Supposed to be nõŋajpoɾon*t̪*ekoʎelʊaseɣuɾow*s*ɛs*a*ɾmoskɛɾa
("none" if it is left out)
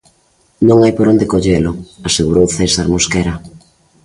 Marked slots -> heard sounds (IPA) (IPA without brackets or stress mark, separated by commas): d̪, θ, a